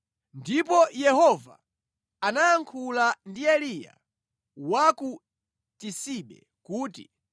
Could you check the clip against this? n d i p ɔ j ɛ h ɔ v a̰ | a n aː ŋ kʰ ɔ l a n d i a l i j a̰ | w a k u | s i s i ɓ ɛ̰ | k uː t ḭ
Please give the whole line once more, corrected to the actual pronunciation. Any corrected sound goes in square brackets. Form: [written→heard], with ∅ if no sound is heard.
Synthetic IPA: n d i p ɔ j ɛ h ɔ v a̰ | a n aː ŋ kʰ [ɔ→u] l a n d i [a→ɛ] l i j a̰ | w a k u | [s→t] i s i ɓ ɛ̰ | k uː t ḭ